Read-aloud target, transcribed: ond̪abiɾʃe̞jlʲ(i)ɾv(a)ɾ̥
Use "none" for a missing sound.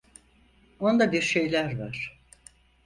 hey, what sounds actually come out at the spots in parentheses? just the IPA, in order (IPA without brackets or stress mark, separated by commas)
æ, a